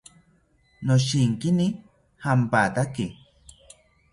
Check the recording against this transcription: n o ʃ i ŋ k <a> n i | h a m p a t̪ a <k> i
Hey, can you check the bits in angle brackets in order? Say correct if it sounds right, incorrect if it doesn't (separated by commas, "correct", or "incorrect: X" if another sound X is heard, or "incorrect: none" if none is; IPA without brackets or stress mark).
incorrect: i, correct